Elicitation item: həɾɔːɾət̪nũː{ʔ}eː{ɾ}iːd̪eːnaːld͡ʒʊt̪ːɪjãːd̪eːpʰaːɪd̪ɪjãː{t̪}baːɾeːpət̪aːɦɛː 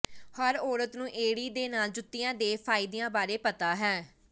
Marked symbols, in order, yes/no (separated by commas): yes, no, no